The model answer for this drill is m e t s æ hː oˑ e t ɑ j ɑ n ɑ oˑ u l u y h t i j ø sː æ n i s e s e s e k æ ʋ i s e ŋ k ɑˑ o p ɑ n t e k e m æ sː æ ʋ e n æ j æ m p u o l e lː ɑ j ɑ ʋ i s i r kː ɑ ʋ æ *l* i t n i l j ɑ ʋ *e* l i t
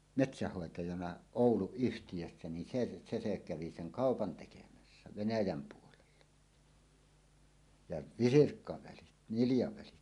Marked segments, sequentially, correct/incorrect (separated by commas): correct, incorrect